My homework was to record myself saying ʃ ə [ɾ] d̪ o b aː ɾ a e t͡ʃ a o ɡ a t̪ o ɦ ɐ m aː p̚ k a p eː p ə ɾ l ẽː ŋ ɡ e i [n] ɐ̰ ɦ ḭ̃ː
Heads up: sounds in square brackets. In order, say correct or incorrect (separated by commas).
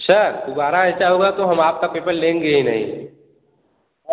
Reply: correct, correct